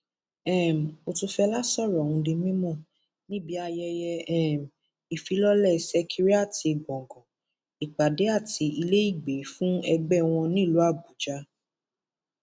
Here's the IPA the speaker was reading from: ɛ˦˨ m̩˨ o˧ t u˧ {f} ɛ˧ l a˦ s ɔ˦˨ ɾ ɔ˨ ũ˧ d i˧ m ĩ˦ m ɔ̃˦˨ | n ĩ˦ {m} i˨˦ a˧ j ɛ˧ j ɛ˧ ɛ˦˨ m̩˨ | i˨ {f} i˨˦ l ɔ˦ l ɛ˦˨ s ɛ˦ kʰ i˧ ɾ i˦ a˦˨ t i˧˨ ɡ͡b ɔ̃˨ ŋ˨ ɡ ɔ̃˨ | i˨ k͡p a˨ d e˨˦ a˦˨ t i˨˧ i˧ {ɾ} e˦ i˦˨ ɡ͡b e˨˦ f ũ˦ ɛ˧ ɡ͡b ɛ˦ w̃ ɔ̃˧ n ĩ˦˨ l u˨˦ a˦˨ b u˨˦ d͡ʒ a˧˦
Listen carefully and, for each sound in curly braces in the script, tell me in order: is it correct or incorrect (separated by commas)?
correct, incorrect, correct, incorrect